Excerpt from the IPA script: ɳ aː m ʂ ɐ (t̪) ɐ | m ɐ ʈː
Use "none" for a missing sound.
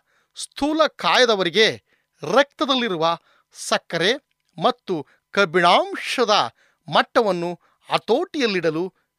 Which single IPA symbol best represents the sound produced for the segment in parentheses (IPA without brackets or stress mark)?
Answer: d̪